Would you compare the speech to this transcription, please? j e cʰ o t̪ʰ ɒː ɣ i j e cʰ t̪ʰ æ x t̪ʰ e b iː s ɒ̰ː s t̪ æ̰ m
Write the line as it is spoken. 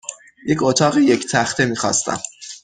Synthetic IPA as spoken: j e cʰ o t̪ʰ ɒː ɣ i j e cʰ t̪ʰ æ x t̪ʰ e m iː x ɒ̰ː s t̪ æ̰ m